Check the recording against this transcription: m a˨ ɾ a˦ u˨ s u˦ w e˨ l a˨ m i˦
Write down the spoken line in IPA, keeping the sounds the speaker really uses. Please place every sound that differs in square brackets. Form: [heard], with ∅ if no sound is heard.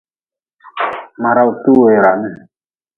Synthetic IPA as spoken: m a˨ ɾ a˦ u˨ [t] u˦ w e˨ [ɾ] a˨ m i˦